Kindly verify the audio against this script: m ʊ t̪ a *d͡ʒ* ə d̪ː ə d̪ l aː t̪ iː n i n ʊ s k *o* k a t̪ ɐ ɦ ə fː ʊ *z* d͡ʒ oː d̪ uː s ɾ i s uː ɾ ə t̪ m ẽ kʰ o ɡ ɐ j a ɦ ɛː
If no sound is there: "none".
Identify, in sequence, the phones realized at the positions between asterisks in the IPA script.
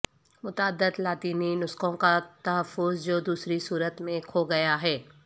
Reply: none, õ, z

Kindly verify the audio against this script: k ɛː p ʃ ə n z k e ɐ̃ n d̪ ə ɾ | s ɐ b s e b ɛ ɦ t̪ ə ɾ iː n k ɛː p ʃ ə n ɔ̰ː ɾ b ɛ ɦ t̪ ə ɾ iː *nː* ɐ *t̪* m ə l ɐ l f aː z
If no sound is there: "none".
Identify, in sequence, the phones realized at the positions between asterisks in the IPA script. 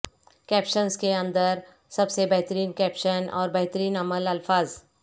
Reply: n, none

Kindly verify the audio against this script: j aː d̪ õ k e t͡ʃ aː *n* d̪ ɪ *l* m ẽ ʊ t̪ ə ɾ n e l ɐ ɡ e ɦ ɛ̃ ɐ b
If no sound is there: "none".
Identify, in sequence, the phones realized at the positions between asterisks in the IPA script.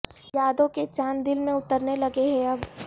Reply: n, l

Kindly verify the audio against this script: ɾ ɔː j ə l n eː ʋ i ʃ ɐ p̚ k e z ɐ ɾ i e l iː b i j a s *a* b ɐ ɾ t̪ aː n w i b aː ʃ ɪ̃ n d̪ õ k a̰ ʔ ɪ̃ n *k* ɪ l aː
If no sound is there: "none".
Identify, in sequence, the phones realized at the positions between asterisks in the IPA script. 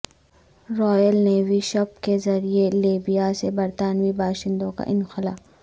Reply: e, x

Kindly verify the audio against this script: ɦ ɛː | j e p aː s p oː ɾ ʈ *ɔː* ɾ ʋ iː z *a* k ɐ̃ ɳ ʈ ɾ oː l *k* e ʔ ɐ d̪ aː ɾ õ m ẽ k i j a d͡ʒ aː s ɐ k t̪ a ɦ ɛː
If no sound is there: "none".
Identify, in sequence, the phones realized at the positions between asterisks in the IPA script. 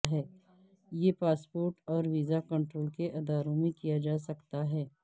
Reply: ɔː, a, k

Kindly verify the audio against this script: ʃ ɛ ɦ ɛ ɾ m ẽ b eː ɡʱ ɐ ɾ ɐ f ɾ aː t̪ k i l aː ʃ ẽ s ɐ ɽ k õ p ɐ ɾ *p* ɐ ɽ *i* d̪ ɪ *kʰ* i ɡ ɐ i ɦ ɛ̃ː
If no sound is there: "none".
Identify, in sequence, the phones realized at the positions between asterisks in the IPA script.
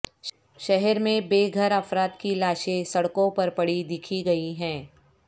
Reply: p, i, kʰ

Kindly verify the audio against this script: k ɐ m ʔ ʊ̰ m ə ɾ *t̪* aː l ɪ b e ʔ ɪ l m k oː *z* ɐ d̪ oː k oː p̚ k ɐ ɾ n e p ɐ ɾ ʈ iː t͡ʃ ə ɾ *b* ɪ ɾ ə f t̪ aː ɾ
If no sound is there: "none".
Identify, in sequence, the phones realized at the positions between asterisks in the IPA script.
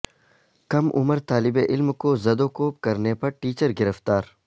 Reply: t̪, z, ɡ

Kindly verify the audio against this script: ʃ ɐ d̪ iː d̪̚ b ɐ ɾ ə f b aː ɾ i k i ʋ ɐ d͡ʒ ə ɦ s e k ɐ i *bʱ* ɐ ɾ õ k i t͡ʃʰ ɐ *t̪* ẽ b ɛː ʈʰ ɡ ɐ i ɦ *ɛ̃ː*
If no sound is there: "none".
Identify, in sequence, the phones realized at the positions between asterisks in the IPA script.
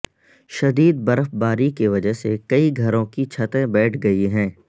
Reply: ɡʱ, t̪, ɛ̃ː

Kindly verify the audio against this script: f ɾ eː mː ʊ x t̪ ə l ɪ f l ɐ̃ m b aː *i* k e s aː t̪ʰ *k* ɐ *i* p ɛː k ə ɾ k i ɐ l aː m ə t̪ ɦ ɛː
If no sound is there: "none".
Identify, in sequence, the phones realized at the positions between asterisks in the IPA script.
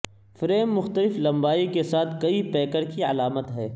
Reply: i, k, i

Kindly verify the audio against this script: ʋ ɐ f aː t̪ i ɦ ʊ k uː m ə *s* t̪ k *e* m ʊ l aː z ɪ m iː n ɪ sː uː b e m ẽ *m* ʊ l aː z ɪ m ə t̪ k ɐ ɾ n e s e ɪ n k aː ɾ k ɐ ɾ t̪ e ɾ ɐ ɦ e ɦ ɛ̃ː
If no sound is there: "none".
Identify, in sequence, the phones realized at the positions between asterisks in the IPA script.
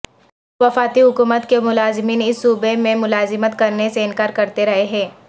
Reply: none, e, m

